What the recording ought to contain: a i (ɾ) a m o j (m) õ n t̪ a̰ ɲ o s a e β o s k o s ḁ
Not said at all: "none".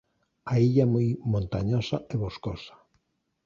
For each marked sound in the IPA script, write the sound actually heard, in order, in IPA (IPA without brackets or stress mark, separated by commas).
ʎ, m